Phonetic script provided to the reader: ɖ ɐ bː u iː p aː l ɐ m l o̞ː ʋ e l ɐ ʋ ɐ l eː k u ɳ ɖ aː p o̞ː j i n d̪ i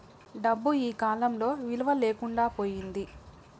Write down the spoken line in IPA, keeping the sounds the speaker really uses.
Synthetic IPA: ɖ ɐ bː u iː k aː l ɐ m l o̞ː ʋ i l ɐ ʋ ɐ l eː k u ɳ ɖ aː p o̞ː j i n d̪ i

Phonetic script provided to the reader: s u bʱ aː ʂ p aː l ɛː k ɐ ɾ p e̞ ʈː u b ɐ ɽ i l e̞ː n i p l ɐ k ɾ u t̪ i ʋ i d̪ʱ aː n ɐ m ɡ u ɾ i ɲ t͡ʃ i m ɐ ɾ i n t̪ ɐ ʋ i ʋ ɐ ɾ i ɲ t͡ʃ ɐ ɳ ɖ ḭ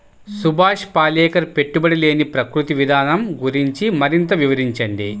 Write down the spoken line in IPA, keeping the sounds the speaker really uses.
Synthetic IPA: s u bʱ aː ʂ p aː l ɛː k ɐ ɾ p e̞ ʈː u b ɐ ɽ i l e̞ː n i p ɾ ɐ k ɾ u t̪ i ʋ i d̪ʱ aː n ɐ m ɡ u ɾ i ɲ t͡ʃ i m ɐ ɾ i n t̪ ɐ ʋ i ʋ ɐ ɾ i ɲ t͡ʃ ɐ ɳ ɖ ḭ

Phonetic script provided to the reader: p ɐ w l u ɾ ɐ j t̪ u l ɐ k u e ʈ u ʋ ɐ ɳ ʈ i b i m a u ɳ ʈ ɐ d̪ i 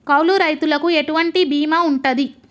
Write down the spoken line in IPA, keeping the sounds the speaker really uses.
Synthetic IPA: k ɐ w l u ɾ ɐ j t̪ u l ɐ k u e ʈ u ʋ ɐ ɳ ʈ i b iː m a u ɳ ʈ ɐ d̪ i

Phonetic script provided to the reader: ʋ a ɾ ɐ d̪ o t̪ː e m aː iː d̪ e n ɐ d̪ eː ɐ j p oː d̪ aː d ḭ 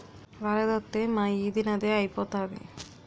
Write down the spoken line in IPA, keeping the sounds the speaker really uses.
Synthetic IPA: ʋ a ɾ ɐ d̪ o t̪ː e m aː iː d̪ i n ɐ d̪ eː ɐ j p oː t̪ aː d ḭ

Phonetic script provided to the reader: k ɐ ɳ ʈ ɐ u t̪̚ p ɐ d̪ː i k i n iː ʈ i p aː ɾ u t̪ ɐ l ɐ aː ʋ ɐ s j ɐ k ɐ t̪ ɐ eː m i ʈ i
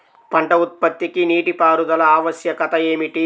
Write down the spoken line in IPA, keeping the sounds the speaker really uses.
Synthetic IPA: p ɐ ɳ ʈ ɐ u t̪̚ p ɐ t̪ː i k i n iː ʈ i p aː ɾ u d̪ ɐ l ɐ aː ʋ ɐ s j ɐ k ɐ t̪ ɐ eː m i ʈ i

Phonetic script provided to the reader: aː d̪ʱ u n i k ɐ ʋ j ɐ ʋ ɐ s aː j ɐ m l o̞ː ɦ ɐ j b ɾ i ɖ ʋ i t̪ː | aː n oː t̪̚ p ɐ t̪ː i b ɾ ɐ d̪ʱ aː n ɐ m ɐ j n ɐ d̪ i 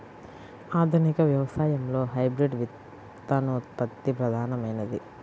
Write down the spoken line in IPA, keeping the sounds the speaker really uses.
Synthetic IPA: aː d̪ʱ u n i k ɐ ʋ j ɐ ʋ ɐ s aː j ɐ m l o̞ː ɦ ɐ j b ɾ i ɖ ʋ i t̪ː | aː n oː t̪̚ p ɐ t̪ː i p ɾ ɐ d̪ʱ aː n ɐ m ɐ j n ɐ d̪ i

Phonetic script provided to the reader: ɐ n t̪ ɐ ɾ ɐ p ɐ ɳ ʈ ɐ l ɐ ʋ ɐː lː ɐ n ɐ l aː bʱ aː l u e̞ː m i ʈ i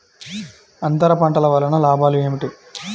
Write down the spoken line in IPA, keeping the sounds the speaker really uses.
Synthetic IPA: ɐ n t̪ ɐ ɾ ɐ p ɐ ɳ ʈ ɐ l ɐ ʋ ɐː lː ɐ n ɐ l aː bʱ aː l u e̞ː m i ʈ i

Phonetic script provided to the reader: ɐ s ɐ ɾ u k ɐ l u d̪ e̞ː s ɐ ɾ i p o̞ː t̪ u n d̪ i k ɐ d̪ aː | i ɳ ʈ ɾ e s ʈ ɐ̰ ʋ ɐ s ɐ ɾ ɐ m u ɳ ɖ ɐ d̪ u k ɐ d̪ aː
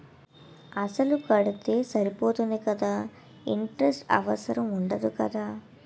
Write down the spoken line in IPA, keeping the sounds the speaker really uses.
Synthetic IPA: ɐ s ɐ l u k ɐ ɽ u t̪ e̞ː s ɐ ɾ i p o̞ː t̪ u n d̪ i k ɐ d̪ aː | i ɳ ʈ ɾ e s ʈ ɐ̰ ʋ ɐ s ɐ ɾ ɐ m u ɳ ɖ ɐ d̪ u k ɐ d̪ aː

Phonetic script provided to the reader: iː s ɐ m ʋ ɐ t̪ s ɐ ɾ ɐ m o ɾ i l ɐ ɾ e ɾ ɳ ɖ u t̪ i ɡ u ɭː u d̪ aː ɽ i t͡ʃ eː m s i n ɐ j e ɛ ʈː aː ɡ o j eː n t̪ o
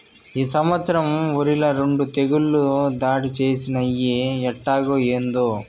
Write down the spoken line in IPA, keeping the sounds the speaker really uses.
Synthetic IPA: iː s ɐ m ʋ ɐ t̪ s ɐ ɾ ɐ m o ɾ i l ɐ ɾ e ɳ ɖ u t̪ e ɡ u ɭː u d̪ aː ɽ i t͡ʃ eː s i n ɐ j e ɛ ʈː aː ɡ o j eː n d̪ o

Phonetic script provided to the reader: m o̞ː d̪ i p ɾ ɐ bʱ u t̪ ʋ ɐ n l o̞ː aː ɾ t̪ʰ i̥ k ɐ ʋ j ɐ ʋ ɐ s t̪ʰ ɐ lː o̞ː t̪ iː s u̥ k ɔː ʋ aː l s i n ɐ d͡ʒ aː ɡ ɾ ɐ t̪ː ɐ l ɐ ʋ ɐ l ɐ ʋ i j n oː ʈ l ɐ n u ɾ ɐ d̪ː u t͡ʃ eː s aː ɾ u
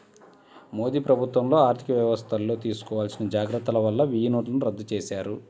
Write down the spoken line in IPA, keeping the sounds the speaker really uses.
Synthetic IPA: m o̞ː d̪ iː p ɾ ɐ bʱ u t̪ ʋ ɐ m l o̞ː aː ɾ t̪ʰ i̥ k ɐ ʋ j ɐ ʋ ɐ s t̪ʰ ɐ lː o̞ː t̪ iː s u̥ k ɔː ʋ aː l s i n ɐ d͡ʒ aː ɡ ɾ ɐ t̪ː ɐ l ɐ ʋ ɐ lː ɐ ʋ i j n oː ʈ l ɐ n u ɾ ɐ d̪ː u t͡ʃ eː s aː ɾ u

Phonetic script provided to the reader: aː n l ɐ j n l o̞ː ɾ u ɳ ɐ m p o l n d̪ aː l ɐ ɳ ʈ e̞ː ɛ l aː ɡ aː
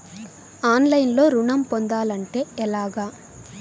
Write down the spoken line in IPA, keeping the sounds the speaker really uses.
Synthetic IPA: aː n l ɐ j n l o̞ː ɾ u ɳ ɐ m p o n d̪ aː l ɐ ɳ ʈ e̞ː ɛ l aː ɡ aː

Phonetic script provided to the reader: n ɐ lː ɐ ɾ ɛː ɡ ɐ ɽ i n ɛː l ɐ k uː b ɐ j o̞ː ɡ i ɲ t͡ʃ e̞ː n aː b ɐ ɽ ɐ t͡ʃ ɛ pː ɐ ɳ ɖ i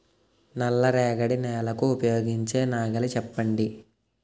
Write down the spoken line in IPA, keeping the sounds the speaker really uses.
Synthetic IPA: n ɐ lː ɐ ɾ ɛː ɡ ɐ ɽ i n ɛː l ɐ k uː p ɐ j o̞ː ɡ i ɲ t͡ʃ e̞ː n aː ɡ ɐ l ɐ t͡ʃ ɛ pː ɐ ɳ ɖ i

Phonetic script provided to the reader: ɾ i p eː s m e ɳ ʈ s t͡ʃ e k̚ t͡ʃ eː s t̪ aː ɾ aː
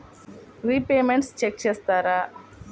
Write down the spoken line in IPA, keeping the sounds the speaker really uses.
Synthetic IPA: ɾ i p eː m e ɳ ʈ s t͡ʃ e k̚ t͡ʃ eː s t̪ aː ɾ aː

